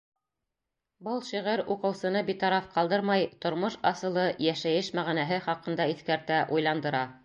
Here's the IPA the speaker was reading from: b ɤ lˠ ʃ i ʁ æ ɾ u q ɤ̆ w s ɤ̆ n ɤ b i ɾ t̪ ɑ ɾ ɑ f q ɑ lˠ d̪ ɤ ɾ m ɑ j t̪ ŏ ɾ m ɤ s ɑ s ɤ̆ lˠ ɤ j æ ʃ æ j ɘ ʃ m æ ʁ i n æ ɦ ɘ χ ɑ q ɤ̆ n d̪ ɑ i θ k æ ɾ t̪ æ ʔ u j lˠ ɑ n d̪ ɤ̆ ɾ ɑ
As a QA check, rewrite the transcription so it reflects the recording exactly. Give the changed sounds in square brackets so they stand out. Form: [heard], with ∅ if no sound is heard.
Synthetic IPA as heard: b ɤ lˠ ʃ i ʁ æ ɾ u q ɤ̆ w s ɤ̆ n ɤ b i [∅] t̪ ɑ ɾ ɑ f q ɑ lˠ d̪ ɤ ɾ m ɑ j t̪ ŏ ɾ m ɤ [ʃ] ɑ s ɤ̆ lˠ ɤ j æ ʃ æ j ɘ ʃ m æ ʁ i n æ ɦ ɘ χ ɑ q ɤ̆ n d̪ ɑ i θ k æ ɾ t̪ æ ʔ u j lˠ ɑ n d̪ ɤ̆ ɾ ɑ